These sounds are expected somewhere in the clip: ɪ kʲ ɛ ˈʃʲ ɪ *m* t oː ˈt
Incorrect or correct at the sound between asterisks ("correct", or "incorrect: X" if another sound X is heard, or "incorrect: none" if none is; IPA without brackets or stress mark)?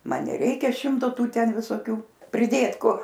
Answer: correct